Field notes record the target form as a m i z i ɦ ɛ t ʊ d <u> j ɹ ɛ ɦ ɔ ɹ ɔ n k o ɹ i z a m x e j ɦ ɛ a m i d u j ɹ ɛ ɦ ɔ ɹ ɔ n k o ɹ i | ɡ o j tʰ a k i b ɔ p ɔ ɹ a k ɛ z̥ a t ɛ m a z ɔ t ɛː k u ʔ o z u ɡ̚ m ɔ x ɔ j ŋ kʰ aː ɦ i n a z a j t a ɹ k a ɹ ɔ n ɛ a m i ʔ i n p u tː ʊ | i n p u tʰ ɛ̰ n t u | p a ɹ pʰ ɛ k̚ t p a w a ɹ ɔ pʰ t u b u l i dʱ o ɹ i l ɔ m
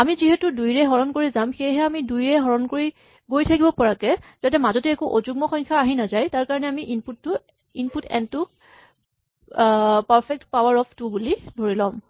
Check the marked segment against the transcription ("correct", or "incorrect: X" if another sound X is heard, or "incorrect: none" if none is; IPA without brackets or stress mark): correct